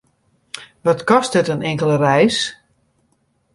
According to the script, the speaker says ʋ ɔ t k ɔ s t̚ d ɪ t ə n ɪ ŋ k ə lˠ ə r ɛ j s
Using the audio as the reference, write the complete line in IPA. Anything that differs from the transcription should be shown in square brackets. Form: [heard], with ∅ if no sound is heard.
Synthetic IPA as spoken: ʋ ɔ t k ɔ s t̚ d ɪ t ə n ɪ ŋ k ə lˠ ə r ɛ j s